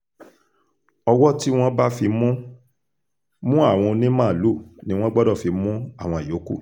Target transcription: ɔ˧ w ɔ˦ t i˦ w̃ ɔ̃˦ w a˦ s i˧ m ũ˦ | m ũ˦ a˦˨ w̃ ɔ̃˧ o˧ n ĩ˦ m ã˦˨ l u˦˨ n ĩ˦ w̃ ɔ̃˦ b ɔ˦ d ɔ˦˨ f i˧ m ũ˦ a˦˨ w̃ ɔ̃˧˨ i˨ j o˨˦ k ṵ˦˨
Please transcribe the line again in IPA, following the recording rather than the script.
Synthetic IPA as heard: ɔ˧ w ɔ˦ t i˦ w̃ ɔ̃˦ b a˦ f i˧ m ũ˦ | m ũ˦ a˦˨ w̃ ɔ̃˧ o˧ n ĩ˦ m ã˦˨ l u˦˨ n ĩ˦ w̃ ɔ̃˦ ɡ͡b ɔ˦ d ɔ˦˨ f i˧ m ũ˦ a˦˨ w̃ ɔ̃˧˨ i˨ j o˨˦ k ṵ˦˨